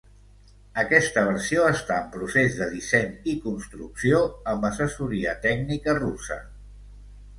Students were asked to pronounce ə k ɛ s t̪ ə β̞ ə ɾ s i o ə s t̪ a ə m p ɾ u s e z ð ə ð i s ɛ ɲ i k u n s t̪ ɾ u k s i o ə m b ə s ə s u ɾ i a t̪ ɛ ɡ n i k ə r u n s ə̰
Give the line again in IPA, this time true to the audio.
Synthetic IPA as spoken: ə k ɛ s t̪ ə β̞ ə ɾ s i o ə s t̪ a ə m p ɾ u s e z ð ə ð i s ɛ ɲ i k u n s t̪ ɾ u k s i o ə m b ə s ə s u ɾ i ə t̪ ɛ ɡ n i k ə r u s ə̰